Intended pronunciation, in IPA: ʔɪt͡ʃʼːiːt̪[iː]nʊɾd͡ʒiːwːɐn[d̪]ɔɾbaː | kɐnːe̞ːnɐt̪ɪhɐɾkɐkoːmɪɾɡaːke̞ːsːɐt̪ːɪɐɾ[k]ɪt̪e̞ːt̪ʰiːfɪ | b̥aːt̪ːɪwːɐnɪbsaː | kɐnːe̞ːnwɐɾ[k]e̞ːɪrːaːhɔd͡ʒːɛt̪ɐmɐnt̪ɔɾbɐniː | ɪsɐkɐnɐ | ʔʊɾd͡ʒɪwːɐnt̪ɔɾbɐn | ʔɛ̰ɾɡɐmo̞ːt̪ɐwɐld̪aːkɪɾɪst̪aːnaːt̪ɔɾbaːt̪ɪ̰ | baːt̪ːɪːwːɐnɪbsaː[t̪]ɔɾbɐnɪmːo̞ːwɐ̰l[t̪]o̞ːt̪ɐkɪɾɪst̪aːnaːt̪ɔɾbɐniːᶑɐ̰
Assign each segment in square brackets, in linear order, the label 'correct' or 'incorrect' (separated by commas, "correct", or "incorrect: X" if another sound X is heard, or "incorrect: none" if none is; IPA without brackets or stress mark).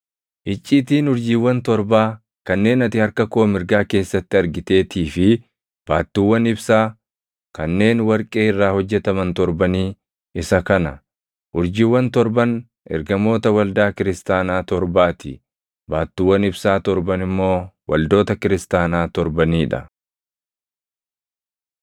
correct, incorrect: t̪, incorrect: ɡ, incorrect: kʼ, correct, incorrect: d̪